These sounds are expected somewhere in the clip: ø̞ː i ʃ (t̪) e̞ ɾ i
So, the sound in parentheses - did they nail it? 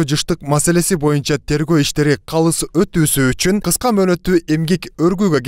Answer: yes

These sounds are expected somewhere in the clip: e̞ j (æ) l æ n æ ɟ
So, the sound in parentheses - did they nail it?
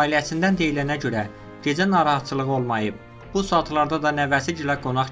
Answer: no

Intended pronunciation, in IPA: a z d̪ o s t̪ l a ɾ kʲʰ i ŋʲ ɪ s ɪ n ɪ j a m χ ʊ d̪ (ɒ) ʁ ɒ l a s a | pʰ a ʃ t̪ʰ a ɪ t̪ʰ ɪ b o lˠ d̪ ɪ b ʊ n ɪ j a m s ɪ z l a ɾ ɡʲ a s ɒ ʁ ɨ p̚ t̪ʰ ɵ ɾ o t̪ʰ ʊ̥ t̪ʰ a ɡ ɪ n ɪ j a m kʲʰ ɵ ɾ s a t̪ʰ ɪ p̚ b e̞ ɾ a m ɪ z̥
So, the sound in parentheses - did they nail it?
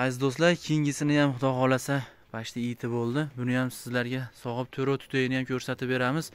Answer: yes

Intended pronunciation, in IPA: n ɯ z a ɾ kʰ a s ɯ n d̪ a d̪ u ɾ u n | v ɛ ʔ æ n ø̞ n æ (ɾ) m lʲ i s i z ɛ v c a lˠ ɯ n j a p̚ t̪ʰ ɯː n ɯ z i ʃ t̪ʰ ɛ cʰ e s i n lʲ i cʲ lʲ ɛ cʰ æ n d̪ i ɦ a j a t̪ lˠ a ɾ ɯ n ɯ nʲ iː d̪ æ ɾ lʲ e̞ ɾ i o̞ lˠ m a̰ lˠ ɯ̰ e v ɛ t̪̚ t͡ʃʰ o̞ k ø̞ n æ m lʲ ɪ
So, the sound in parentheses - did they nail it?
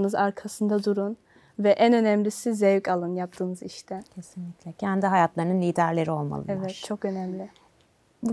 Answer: no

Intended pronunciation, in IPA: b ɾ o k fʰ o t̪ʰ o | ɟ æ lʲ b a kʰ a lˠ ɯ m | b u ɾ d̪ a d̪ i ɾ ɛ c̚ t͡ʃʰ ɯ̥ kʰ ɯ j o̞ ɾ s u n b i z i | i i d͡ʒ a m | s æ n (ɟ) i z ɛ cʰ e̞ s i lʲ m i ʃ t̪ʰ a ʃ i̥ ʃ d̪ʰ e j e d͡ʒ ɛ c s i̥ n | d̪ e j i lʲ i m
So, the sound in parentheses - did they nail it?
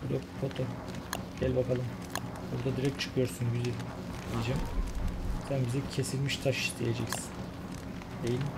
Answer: no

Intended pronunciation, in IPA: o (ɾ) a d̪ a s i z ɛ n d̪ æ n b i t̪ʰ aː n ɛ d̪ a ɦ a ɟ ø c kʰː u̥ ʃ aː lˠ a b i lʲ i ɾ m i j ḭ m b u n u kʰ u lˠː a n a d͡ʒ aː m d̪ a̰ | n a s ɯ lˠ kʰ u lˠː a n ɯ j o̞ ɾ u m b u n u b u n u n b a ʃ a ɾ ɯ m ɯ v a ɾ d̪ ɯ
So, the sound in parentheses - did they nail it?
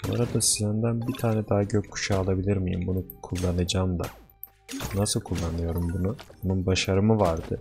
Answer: yes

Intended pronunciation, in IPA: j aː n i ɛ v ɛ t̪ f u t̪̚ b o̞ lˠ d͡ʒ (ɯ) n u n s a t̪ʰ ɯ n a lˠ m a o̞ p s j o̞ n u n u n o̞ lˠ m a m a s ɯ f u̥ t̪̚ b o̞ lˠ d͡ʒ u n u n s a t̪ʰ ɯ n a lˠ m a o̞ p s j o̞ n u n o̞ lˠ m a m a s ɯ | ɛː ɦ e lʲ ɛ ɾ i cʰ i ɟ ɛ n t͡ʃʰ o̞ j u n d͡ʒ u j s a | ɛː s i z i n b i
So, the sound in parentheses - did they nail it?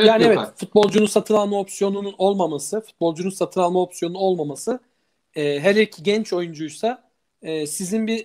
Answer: no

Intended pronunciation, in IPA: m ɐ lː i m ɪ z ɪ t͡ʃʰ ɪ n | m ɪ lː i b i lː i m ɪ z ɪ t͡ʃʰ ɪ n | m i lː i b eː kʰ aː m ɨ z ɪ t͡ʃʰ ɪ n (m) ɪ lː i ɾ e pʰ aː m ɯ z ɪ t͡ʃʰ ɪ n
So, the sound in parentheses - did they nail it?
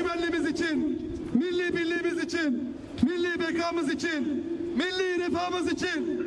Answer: yes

